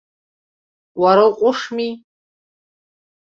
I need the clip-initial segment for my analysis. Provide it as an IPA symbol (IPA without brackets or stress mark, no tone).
w